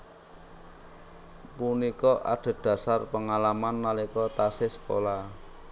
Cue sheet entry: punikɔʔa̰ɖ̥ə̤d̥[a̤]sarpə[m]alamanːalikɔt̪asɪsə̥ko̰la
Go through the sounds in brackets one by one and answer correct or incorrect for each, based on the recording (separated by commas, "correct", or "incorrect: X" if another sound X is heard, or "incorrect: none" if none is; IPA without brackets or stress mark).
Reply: correct, incorrect: ŋ